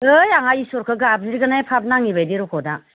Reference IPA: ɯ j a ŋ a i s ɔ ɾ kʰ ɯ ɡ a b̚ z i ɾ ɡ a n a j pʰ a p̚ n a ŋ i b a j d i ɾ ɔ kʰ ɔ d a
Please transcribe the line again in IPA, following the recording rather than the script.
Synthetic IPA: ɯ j a ŋ a i s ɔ ɾ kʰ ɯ ɡ a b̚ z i ɾ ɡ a n a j pʰ a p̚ n a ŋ i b a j d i ɾ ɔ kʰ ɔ d a

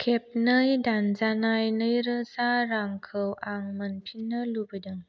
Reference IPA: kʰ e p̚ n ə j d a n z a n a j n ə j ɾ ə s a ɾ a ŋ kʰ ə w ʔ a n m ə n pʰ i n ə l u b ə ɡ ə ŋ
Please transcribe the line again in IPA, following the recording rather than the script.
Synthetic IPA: kʰ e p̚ n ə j d a n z a n a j n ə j ɾ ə s a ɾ a ŋ kʰ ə w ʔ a ŋ m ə n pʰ i n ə l u b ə d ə ŋ

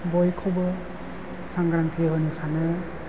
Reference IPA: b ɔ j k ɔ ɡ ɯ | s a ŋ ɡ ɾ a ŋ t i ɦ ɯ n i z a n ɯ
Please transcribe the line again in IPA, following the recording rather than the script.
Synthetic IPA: b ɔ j kʰ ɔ b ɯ | s a ŋ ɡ ɾ a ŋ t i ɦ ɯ n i s a n ɯ

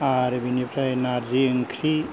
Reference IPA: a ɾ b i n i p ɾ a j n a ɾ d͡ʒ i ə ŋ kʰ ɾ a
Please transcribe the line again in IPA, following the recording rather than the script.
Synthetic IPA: a ɾ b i n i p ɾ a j n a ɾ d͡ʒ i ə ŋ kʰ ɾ i

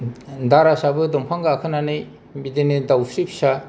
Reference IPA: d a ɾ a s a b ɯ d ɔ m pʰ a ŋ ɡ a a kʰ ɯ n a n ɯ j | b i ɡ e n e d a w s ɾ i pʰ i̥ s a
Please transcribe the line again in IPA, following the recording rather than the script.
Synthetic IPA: d a ɾ a s a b ɯ d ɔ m pʰ a ŋ ɡ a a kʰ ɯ n a n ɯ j | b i d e n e d a w s ɾ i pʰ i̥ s a

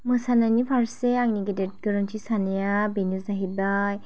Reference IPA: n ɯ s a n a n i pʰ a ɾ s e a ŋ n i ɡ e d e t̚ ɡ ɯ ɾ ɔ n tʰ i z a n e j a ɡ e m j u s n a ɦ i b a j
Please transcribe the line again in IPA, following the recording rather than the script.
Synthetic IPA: m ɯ s a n a n i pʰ a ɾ s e a ŋ n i ɡ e d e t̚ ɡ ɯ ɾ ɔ n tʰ i s a n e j a b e n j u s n a ɦ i b a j

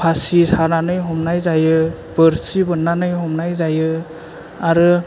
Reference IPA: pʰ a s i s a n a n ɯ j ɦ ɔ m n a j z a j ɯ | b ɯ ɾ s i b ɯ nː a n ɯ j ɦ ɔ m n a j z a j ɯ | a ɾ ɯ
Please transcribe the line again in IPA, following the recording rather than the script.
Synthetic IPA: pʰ a s i s a n a n ɯ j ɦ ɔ m n a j z a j ɯ | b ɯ ɾ s i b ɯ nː a n ɯ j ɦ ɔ m n a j z a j ɯ | a ɾ ɯ

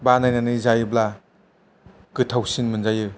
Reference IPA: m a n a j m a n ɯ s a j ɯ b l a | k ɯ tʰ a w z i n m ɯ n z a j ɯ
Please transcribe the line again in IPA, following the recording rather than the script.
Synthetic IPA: b a n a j n a n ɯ z a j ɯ b l a | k ɯ tʰ a w s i n m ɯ n z a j ɯ

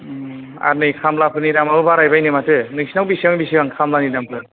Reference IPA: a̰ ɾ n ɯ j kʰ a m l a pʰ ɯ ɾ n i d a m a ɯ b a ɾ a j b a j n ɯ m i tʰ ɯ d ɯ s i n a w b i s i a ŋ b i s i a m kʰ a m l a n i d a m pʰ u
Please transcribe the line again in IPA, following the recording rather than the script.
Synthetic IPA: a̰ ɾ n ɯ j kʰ a m l a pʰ ɯ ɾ n i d a m a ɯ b a ɾ a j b a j n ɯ m a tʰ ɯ n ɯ s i n a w b i s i a ŋ b i s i a ŋ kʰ a m l a n i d a m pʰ ɯ

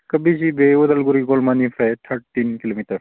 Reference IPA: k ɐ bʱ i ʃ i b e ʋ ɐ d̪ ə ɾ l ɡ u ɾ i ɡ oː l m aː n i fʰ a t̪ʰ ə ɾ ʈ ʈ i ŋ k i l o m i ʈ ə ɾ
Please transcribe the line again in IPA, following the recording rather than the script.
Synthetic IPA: k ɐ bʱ i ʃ i b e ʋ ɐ d̪ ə l ɡ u ɾ i ɡ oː l m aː n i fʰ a t̪ʰ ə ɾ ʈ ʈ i n k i l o m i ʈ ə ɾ

